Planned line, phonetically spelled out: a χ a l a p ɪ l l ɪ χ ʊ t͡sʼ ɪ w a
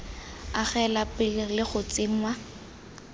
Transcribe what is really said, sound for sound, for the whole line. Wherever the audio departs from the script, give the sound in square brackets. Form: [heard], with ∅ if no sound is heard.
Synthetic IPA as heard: a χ [ɛ] l a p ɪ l l ɪ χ ʊ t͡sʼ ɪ w a